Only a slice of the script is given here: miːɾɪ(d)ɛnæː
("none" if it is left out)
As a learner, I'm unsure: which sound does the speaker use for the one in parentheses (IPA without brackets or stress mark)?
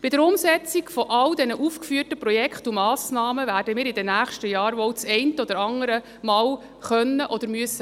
d